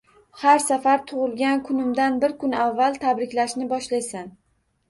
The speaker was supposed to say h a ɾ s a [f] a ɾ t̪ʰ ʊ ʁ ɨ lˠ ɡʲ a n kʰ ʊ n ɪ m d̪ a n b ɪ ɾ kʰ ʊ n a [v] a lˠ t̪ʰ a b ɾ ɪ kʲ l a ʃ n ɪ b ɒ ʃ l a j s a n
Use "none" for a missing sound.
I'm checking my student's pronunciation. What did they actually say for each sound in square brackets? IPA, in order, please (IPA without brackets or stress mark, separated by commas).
f, vː